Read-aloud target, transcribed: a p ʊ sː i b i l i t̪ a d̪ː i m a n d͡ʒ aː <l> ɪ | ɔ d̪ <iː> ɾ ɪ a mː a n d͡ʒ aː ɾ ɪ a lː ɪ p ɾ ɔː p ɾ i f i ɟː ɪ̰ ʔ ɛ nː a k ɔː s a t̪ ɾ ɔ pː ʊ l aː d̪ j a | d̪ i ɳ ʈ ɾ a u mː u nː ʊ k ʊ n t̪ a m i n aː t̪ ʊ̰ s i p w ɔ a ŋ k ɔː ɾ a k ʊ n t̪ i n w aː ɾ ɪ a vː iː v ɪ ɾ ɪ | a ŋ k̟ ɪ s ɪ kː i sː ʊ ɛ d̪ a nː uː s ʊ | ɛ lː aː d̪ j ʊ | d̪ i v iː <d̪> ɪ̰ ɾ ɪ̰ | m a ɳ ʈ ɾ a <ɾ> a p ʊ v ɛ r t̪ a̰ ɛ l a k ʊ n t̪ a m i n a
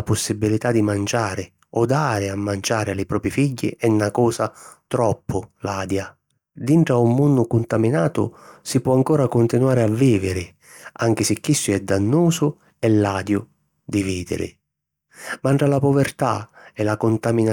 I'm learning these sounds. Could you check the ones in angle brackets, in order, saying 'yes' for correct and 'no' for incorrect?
no, no, yes, no

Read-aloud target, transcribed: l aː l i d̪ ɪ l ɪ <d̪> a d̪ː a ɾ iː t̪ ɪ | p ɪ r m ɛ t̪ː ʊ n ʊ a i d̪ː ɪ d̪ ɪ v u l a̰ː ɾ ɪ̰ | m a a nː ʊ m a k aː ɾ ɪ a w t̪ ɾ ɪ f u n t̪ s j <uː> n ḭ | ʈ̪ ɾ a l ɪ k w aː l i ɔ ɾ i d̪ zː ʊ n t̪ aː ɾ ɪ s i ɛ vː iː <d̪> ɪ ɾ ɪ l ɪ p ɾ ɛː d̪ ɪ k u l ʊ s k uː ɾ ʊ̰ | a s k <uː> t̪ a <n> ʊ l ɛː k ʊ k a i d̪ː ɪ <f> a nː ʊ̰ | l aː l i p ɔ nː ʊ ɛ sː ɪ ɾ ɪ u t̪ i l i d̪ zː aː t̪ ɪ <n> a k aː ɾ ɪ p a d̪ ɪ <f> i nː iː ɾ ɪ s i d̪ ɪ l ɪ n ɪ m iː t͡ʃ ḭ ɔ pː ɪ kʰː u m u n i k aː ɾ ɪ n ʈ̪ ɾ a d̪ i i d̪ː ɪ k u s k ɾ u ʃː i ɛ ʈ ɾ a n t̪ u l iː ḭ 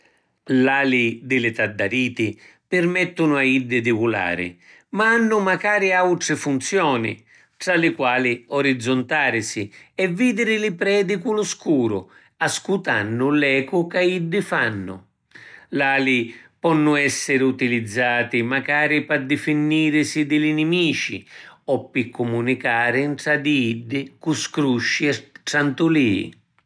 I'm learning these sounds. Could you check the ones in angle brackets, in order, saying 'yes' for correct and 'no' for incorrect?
no, no, yes, no, no, yes, no, yes

